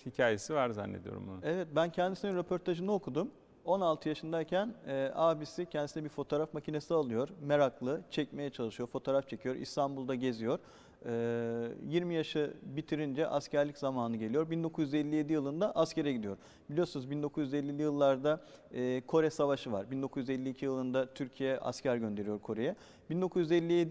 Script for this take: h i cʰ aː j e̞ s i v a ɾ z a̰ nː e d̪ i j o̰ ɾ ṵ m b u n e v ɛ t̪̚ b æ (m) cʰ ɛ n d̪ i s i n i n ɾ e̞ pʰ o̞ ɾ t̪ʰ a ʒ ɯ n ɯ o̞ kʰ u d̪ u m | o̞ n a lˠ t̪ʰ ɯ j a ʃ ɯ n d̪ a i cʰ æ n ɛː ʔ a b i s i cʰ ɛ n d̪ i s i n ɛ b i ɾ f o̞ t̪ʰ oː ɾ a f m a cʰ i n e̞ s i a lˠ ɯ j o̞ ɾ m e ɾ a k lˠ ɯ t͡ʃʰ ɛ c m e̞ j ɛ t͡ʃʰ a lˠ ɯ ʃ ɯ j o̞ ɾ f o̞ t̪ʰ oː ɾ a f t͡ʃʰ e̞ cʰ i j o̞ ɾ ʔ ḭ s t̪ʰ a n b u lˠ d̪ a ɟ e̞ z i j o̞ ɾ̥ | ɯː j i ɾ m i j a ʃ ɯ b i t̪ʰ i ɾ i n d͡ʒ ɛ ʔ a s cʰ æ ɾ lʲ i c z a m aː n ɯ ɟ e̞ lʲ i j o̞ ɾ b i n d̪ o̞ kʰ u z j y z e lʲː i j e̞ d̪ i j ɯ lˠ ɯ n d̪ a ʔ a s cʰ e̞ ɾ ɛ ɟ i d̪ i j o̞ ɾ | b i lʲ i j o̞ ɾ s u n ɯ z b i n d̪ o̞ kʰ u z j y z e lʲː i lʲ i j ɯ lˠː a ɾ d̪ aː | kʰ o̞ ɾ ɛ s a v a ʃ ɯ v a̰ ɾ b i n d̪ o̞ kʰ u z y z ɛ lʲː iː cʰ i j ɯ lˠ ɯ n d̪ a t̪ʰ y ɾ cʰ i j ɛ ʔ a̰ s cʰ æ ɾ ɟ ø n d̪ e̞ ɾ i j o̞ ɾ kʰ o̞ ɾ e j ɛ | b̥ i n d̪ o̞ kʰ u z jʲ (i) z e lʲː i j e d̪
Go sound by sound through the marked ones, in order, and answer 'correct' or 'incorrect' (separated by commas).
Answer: incorrect, incorrect